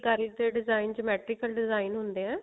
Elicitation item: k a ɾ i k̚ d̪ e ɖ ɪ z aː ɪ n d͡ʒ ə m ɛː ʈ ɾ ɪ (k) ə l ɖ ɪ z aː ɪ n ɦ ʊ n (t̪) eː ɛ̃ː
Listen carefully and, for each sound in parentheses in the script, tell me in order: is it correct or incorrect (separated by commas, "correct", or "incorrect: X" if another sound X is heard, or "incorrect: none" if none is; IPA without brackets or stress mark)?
correct, incorrect: d̪